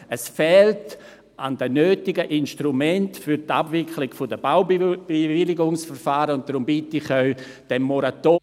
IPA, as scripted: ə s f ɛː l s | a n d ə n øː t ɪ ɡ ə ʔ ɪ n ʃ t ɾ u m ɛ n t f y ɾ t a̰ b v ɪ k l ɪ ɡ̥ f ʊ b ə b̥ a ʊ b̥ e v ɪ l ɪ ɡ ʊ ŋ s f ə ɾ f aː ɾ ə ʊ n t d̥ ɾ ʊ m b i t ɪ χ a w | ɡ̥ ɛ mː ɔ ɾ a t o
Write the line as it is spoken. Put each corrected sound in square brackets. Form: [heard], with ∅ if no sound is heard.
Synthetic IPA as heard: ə s f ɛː l [t] | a n d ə n øː t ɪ ɡ ə ʔ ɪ n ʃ t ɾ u m ɛ n t f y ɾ t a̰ b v ɪ k l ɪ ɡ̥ f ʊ [d] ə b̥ a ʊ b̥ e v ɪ l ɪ ɡ ʊ ŋ s f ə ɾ f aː ɾ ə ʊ n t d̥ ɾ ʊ m b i t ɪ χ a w | [d̥] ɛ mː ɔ ɾ a t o